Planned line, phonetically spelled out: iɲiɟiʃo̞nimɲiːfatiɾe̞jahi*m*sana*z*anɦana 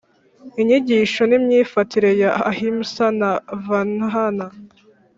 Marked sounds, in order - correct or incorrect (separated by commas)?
correct, incorrect